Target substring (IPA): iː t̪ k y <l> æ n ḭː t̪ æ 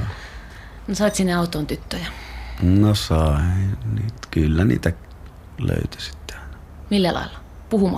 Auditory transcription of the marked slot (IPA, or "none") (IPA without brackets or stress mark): lː